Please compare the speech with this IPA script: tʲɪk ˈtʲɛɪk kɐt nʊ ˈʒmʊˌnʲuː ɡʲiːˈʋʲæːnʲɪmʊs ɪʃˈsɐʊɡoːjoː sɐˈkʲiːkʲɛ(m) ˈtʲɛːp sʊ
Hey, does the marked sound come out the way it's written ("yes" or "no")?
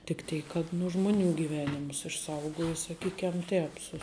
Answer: yes